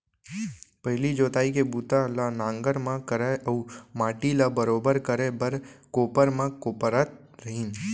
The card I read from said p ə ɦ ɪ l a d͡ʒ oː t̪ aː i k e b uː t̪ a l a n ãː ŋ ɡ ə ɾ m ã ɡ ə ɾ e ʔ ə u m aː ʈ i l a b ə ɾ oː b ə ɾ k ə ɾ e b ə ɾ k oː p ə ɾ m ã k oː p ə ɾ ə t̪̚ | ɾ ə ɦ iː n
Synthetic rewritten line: p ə ɦ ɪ l i d͡ʒ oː t̪ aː i k e b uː t̪ a l a n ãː ŋ ɡ ə ɾ m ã k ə ɾ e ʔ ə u m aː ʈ i l a b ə ɾ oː b ə ɾ k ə ɾ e b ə ɾ k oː p ə ɾ m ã k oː p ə ɾ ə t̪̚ | ɾ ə ɦ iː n